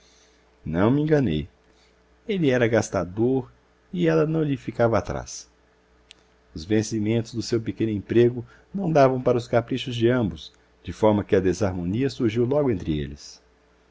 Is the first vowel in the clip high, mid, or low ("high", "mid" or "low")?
low